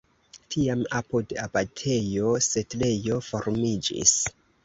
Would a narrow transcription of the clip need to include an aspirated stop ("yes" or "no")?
yes